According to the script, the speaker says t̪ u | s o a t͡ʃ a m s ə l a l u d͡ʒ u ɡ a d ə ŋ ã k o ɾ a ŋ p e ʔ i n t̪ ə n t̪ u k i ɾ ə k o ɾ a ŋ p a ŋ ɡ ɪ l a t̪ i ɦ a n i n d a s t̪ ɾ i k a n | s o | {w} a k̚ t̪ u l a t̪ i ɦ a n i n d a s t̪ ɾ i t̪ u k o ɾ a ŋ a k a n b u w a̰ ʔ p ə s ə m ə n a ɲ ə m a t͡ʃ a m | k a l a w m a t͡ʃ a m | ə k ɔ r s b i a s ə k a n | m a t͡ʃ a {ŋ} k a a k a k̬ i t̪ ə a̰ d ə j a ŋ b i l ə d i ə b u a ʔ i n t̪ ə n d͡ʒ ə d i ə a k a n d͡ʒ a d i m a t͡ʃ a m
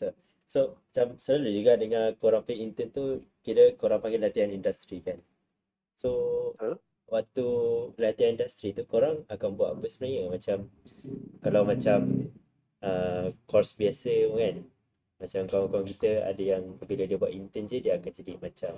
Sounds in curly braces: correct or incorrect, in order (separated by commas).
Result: correct, incorrect